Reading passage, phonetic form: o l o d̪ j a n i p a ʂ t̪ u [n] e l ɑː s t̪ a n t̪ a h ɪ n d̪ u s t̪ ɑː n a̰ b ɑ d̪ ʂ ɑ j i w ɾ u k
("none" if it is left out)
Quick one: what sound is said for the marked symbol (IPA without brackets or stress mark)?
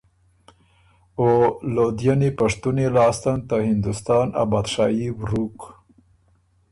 n